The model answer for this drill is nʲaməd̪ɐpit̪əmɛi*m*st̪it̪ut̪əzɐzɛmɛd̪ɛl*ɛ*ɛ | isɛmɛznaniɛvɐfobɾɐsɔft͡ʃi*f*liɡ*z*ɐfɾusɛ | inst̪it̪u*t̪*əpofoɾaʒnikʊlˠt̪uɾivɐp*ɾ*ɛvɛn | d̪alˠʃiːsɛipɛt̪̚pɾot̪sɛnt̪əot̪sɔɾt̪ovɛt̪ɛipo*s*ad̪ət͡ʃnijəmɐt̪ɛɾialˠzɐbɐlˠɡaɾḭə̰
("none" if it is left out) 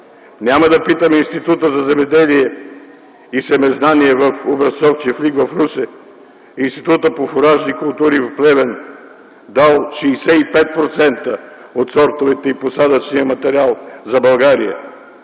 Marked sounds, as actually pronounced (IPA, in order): n, i, f, v, t̪, l, s

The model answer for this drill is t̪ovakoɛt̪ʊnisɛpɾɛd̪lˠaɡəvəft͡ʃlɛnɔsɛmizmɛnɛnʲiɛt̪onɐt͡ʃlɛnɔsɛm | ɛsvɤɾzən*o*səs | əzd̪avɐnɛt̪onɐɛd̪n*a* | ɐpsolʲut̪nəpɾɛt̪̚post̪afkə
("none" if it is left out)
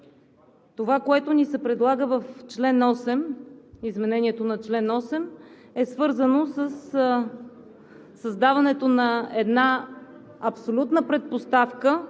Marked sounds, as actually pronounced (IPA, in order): o, a

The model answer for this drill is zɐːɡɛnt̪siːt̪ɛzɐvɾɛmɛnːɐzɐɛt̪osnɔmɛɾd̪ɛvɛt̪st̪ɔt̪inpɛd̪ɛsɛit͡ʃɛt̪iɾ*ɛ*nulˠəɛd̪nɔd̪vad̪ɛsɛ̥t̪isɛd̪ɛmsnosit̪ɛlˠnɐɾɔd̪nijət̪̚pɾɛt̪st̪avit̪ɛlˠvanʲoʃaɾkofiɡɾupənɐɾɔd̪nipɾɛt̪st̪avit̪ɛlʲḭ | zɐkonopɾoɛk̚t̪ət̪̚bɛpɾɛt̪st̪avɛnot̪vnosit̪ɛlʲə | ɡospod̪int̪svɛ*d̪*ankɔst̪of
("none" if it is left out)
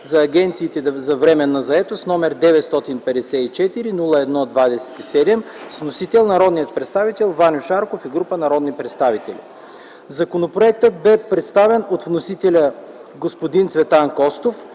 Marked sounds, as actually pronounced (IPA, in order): i, t̪

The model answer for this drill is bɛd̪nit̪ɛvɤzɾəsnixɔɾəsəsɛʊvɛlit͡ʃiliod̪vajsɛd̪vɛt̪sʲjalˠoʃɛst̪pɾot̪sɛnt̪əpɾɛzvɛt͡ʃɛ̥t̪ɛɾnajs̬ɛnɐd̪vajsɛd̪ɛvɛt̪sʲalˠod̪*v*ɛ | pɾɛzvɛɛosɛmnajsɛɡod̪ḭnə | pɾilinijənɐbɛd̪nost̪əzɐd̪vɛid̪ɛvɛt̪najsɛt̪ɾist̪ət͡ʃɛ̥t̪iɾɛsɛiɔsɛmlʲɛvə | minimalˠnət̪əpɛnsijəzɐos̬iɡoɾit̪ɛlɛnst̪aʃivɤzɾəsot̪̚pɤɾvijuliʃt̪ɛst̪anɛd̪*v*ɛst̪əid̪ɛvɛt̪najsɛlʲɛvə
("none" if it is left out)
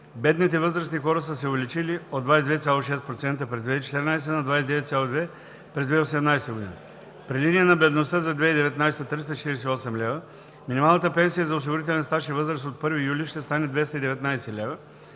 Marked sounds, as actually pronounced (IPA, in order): v, v

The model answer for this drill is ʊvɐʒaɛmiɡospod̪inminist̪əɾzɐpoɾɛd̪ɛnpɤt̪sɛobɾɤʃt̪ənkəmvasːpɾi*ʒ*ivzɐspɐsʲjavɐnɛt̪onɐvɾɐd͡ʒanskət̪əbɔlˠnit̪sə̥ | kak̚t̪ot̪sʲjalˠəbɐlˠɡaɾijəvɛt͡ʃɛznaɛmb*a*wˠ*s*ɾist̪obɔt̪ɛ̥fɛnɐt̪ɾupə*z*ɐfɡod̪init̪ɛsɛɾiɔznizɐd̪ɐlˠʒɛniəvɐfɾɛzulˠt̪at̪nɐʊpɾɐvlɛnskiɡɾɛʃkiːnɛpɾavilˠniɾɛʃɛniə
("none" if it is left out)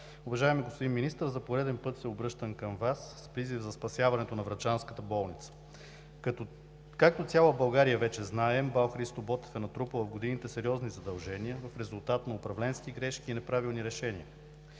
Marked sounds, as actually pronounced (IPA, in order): z, a, x, v

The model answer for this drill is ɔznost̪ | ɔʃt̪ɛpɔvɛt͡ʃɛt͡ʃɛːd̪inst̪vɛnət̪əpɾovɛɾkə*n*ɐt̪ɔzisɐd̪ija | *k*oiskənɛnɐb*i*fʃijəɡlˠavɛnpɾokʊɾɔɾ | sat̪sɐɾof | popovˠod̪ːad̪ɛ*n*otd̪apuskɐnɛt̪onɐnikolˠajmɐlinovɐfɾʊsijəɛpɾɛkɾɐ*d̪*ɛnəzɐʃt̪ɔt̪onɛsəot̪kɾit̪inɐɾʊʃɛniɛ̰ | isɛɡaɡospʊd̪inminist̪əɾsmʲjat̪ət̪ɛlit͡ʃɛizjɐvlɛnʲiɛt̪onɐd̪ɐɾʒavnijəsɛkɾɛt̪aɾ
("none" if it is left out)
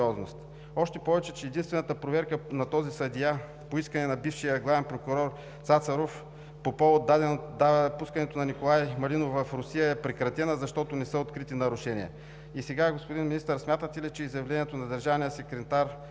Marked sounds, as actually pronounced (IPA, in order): n, p, i, n, t̪

